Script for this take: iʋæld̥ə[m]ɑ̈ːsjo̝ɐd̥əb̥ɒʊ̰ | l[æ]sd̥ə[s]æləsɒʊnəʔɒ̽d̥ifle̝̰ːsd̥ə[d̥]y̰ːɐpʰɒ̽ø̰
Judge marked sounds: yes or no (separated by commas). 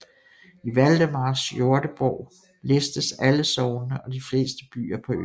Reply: yes, no, yes, no